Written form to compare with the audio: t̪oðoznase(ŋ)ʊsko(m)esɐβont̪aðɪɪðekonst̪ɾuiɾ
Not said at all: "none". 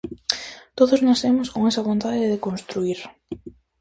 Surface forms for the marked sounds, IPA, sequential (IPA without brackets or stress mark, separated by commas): m, ŋ